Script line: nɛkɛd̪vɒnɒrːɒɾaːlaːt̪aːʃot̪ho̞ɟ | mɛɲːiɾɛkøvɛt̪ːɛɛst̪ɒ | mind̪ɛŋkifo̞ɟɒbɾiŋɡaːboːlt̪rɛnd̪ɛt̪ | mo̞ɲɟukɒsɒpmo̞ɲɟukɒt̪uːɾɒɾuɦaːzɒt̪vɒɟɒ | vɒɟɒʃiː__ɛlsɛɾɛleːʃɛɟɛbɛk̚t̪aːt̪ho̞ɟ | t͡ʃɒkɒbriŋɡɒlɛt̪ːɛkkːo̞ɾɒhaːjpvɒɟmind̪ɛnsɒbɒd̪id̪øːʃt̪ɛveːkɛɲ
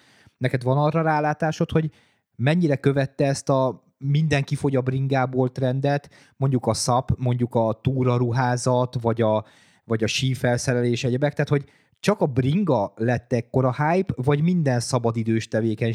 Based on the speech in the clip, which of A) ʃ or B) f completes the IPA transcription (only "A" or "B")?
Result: B